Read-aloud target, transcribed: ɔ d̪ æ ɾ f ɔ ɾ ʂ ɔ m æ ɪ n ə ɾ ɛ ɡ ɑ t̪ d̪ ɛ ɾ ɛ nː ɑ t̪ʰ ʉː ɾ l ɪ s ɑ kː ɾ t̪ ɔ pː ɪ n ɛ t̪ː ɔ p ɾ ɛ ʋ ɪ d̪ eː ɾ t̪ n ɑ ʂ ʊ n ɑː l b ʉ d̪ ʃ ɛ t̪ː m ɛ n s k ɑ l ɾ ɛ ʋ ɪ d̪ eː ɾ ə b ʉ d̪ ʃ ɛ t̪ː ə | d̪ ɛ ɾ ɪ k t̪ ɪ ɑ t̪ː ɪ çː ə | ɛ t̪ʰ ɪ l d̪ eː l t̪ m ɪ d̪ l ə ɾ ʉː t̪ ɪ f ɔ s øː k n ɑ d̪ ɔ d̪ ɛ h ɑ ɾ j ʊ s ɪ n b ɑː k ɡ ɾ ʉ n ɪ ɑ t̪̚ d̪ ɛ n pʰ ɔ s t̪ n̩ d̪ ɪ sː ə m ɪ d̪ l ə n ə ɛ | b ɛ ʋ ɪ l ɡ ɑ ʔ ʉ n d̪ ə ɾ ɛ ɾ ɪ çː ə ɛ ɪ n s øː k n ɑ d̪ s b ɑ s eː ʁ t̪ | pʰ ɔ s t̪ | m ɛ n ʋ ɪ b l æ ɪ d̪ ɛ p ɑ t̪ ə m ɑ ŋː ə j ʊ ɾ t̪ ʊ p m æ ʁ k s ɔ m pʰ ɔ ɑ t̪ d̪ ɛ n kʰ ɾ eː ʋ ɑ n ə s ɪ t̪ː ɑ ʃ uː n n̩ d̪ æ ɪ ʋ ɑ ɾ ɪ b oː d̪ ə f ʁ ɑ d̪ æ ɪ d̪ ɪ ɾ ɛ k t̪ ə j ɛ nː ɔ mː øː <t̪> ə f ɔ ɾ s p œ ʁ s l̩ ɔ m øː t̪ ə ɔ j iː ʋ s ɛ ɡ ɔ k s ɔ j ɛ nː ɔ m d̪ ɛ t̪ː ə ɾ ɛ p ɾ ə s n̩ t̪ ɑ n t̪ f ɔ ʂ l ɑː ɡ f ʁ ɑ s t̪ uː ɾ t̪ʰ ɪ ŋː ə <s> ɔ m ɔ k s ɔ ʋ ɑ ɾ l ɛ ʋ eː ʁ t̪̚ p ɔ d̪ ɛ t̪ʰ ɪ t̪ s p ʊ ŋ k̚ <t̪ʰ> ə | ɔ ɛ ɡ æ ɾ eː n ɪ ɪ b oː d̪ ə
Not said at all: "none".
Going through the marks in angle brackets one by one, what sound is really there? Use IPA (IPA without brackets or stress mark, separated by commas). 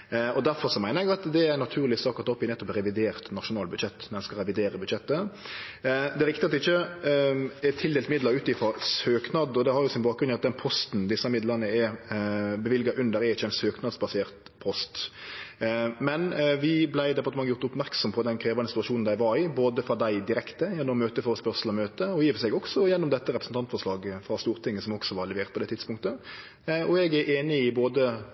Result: t̪, s, t̪